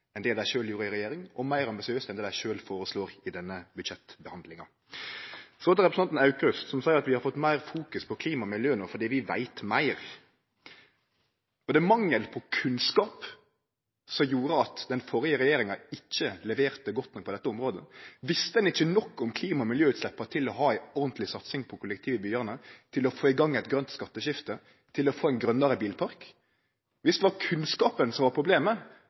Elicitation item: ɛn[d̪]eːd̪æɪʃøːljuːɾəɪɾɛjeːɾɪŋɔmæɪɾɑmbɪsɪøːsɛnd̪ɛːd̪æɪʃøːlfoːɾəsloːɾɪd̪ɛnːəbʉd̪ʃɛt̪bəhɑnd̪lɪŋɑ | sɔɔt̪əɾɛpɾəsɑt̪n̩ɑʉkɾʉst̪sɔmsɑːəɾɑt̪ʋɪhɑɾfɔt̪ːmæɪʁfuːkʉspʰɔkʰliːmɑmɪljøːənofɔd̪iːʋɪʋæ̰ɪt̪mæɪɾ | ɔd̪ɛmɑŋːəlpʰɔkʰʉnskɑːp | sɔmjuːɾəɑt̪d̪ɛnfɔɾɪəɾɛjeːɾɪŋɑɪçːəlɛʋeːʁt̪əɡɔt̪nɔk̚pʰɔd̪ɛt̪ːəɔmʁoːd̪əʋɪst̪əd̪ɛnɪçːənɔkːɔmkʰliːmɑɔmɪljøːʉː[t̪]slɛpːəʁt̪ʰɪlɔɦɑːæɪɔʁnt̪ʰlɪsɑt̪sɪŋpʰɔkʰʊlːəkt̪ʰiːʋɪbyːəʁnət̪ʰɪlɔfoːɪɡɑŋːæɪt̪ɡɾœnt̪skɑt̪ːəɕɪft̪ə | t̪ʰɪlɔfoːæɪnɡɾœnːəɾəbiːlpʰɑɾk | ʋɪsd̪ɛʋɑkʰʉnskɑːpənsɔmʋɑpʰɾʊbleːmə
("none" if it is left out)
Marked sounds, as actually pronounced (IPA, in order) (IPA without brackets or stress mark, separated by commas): d̪, t̪